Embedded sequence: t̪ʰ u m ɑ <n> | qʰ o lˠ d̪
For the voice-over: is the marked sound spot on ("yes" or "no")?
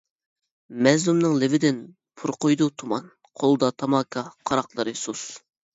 yes